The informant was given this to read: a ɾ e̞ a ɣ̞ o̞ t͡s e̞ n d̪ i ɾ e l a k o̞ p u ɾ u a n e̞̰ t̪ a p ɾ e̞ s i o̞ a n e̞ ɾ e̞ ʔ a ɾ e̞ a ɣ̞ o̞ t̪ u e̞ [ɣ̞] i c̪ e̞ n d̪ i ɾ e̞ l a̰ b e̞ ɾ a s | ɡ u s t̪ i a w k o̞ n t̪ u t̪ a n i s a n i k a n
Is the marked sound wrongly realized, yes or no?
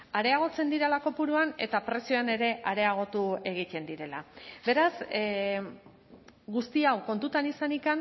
no